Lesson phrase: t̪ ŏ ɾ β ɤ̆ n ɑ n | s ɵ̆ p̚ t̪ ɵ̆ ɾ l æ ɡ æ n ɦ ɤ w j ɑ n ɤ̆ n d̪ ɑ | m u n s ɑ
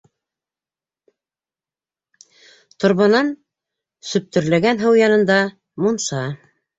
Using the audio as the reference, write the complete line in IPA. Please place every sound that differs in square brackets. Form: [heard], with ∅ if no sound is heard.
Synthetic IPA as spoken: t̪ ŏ ɾ β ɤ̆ n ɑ n | s ɵ̆ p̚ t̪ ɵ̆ ɾ l æ ɡ æ n ɦ ɤ w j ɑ n ɤ̆ n d̪ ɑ | m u n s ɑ